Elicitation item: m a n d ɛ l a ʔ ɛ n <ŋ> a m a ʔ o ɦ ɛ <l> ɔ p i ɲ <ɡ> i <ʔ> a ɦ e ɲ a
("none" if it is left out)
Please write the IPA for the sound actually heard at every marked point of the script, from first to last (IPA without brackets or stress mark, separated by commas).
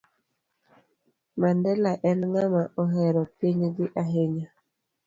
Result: ŋ, ɾ, ɡ, ʔ